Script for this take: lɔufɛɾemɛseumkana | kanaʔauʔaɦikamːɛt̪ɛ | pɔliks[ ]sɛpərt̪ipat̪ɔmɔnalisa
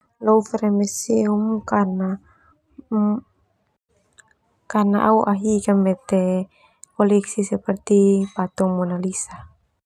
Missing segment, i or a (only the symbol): i